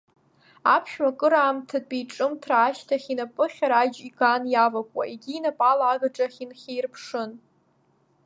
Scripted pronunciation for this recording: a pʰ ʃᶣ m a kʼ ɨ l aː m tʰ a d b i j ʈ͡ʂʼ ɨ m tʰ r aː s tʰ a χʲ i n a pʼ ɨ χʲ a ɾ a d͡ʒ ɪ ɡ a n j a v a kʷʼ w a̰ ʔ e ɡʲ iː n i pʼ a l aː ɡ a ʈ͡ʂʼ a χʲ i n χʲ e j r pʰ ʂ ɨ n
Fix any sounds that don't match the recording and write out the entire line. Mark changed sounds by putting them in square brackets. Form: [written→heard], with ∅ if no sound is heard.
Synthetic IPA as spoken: a pʰ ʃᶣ m a kʼ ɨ [l→ɾ] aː m tʰ a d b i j ʈ͡ʂʼ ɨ m tʰ r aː [s→ʃ] tʰ a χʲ i n a pʼ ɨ χʲ a ɾ a d͡ʒ [ɪ→i] ɡ a n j a v a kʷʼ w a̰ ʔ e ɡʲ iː n [i→a] pʼ a l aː ɡ a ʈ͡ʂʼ a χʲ i n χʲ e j r pʰ ʂ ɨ n